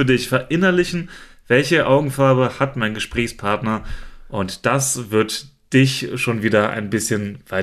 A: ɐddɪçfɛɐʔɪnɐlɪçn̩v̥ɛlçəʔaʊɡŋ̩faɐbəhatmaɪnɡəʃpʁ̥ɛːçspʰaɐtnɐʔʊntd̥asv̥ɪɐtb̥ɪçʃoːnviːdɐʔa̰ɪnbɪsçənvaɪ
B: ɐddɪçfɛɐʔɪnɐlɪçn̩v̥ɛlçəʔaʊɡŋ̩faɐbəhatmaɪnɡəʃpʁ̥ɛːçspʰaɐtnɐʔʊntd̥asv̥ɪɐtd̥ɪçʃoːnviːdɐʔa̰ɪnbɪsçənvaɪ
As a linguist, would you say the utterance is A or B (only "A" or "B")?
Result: B